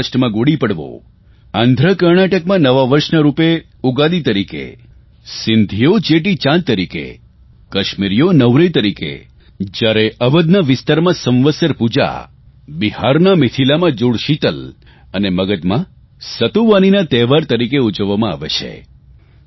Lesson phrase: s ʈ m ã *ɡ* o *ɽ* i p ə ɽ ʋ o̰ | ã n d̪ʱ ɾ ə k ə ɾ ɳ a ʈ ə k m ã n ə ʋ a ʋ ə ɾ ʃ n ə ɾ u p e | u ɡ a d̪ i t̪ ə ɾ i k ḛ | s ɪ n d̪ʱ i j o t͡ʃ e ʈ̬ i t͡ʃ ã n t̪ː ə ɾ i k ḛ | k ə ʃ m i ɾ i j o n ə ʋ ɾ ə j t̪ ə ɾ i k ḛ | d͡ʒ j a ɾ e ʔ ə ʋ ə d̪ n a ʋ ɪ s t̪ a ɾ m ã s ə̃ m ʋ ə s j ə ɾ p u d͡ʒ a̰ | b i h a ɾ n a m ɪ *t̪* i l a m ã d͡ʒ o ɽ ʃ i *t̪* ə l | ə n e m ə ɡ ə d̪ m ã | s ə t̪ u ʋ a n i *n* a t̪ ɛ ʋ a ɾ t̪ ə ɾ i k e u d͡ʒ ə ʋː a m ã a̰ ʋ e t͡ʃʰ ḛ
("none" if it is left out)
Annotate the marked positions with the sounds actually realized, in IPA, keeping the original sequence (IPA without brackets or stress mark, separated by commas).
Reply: ɡ, ɽ, t̪ʰ, t̪, n